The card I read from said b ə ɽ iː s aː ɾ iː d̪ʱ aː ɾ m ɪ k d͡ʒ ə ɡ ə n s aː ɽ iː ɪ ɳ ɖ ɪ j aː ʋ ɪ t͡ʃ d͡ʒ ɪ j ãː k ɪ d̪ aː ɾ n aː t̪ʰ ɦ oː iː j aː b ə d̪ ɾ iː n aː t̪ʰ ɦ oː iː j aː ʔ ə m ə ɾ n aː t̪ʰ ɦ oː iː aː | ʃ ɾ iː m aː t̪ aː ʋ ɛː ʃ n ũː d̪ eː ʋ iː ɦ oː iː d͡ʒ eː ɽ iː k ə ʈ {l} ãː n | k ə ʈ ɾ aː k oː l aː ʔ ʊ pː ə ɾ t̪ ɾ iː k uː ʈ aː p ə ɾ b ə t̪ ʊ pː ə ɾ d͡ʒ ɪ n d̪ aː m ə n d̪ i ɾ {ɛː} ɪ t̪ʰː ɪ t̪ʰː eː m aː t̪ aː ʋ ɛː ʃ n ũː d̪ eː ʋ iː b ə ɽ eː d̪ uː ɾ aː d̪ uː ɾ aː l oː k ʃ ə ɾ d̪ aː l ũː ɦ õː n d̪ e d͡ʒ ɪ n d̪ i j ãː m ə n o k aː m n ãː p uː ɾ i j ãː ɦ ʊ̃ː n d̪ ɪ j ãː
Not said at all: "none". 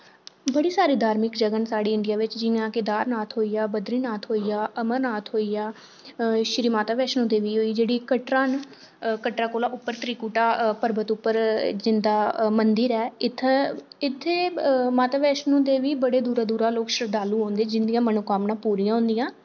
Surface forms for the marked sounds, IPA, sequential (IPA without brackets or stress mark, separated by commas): ɾ, ɛː